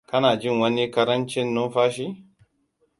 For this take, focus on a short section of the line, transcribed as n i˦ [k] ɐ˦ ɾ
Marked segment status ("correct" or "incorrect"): correct